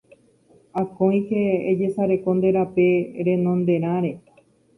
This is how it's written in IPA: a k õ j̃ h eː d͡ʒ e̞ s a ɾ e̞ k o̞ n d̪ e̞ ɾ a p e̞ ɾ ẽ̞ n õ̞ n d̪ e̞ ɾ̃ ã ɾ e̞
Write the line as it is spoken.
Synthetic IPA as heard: a k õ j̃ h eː d͡ʒ e̞ s a ɾ e̞ k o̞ n d̪ e̞ ɾ a p e̞ ɾ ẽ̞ n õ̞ n d̪ e̞ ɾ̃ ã ɾ e̞